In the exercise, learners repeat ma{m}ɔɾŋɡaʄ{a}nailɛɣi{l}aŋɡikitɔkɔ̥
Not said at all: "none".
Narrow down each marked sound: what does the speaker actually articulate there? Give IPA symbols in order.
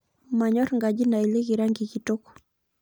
ɲ, i, ɾ

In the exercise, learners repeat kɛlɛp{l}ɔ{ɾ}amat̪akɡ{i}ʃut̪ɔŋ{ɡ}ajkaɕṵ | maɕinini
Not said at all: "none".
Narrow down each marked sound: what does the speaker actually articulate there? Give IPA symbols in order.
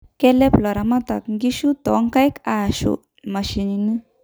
l, ɾ, i, k

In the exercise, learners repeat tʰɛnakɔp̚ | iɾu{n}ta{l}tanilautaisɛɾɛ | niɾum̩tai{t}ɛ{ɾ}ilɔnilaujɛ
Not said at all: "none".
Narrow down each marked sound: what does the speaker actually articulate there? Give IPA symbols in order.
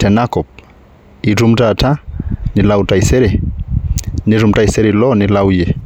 m, none, s, ɾ

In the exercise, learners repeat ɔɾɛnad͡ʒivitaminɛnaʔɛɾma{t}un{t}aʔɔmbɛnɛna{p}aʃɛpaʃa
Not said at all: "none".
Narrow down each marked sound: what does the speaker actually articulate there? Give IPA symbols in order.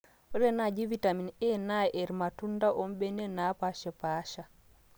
t, d, p

